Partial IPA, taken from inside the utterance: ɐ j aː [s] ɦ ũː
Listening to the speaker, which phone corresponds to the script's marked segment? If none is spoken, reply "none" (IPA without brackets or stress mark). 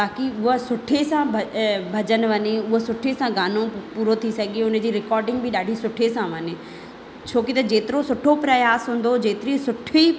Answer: s